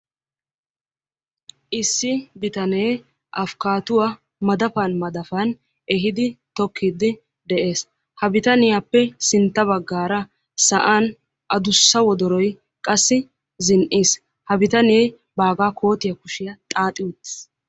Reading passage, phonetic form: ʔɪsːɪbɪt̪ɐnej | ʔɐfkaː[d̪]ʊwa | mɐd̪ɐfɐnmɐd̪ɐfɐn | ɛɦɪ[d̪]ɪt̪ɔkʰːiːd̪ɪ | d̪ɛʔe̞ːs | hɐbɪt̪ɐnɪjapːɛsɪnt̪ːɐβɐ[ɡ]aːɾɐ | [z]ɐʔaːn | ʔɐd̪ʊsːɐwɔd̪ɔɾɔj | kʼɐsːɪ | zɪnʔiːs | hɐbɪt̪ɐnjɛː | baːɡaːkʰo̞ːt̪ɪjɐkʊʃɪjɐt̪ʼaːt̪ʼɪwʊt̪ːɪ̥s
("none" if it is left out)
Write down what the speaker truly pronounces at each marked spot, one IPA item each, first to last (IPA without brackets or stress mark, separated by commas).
t̪, d̪, ɡː, s